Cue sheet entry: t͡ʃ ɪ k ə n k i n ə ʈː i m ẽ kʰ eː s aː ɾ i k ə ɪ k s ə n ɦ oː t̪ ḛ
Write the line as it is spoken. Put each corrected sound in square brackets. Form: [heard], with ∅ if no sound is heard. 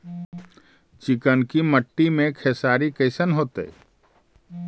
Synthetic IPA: t͡ʃ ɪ k ə n k i [m] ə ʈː i m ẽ kʰ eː s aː ɾ i k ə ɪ [∅] s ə n ɦ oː t̪ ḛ